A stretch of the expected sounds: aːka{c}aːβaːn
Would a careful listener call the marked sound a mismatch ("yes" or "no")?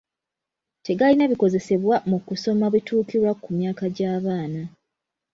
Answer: yes